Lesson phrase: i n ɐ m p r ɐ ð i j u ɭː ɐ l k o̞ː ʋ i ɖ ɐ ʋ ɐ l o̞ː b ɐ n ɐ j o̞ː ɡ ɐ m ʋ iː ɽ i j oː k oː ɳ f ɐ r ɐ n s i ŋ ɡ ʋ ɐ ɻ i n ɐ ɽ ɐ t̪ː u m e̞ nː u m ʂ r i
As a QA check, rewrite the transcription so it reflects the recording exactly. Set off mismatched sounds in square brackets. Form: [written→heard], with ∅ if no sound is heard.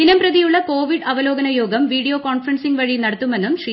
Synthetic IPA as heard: i n ɐ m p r ɐ ð i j u ɭː ɐ [l→∅] k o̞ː ʋ i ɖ ɐ ʋ ɐ l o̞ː [b→ɡ] ɐ n ɐ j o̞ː ɡ ɐ m ʋ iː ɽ i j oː k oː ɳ f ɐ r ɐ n s i ŋ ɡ ʋ ɐ ɻ i n ɐ ɽ ɐ t̪ː u m e̞ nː u m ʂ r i